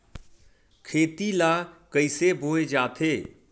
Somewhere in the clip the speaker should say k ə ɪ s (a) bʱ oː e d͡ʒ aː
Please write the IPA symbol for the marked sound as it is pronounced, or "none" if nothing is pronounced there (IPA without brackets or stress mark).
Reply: e